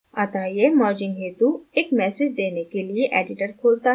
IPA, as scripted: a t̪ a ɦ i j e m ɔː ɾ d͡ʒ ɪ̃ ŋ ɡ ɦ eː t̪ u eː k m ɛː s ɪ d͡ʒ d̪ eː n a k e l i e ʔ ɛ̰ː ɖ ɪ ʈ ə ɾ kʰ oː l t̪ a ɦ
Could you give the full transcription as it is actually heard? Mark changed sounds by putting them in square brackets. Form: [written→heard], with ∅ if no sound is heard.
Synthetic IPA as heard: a t̪ a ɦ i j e m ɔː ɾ d͡ʒ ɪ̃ ŋ ɡ ɦ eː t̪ u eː k m ɛː s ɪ d͡ʒ d̪ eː n [a→e] k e l i e ʔ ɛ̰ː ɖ ɪ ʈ ə ɾ kʰ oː l t̪ a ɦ